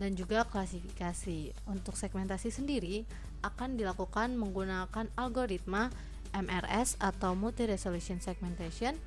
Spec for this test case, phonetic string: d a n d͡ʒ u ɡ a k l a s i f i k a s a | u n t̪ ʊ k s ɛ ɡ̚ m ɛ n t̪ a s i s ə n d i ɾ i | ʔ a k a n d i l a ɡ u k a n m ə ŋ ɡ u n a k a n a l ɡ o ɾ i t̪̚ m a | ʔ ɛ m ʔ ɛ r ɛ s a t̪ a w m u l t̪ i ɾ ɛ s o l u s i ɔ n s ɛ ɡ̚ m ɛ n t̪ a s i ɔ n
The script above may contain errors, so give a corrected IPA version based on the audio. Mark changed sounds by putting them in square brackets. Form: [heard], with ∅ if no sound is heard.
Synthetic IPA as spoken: d a n d͡ʒ u ɡ a k l a s i f i k a s [i] | u n t̪ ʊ k s ɛ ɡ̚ m ɛ n t̪ a s i s ə n d i ɾ i | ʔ a k a n d i l a [k] u k a n m ə ŋ ɡ u n a k a n a l ɡ o ɾ i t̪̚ m a | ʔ ɛ m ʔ ɛ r ɛ s a t̪ a w m u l t̪ i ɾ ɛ s o l u s i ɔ n s ɛ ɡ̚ m ɛ n t̪ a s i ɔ n